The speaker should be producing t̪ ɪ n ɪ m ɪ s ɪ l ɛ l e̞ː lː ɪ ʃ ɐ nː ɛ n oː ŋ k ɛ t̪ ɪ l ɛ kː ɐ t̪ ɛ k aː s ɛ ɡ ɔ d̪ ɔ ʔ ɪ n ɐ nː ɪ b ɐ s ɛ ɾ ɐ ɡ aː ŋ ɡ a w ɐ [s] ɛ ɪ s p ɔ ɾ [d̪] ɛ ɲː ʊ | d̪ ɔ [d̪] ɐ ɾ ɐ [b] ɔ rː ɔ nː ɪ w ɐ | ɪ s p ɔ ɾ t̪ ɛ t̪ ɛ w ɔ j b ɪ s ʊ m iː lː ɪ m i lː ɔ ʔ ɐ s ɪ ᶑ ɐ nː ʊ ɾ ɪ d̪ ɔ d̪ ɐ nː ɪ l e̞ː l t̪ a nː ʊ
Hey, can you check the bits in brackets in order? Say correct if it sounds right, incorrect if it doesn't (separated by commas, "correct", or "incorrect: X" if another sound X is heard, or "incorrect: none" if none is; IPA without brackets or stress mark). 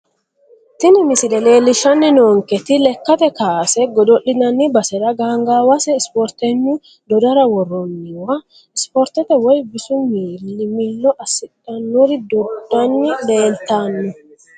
correct, incorrect: t̪, correct, incorrect: w